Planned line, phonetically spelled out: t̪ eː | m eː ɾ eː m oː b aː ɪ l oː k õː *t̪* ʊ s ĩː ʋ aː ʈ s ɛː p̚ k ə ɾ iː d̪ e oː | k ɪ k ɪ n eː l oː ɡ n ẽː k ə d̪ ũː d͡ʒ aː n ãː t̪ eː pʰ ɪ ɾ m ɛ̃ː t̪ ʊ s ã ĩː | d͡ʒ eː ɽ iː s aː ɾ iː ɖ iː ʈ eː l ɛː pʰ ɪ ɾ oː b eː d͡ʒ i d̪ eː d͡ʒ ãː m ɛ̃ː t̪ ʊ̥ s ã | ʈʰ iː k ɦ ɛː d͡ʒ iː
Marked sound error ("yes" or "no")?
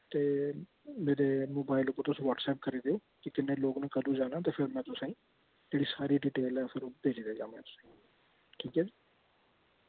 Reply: no